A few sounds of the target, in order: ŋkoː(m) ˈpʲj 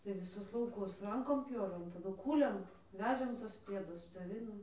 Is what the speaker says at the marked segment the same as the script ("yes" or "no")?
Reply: yes